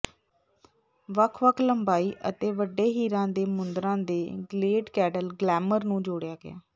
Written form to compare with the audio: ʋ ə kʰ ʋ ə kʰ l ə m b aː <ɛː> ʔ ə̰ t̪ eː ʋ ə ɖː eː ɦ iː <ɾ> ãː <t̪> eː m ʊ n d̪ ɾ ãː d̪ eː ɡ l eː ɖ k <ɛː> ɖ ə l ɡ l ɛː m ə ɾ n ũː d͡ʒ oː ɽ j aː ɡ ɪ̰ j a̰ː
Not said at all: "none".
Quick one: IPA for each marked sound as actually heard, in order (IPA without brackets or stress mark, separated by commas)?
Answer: iː, ɾ, d̪, ɛː